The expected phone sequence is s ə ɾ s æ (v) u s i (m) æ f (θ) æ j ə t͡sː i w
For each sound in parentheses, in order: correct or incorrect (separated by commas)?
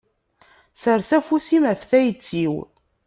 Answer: incorrect, correct, correct